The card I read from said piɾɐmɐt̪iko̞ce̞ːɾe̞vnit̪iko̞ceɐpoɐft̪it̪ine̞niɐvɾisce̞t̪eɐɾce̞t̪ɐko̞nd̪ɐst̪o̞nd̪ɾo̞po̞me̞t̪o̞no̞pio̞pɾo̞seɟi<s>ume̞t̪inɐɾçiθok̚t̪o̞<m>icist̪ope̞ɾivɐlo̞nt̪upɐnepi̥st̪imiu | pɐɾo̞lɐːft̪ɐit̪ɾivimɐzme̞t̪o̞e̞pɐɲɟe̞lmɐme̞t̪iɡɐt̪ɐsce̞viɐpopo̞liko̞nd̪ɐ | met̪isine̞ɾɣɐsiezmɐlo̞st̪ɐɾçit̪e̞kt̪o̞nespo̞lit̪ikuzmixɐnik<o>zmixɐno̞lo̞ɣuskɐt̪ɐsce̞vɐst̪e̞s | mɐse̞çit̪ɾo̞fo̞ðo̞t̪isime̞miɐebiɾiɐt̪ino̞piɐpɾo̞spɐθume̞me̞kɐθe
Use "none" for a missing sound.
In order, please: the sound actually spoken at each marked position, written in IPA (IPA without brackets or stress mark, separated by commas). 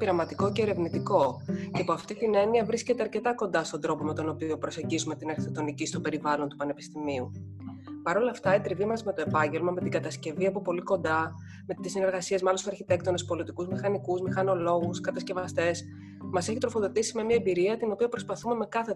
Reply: z, n, u